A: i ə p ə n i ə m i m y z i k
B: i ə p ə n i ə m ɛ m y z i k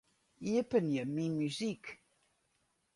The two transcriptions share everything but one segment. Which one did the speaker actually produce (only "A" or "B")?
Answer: A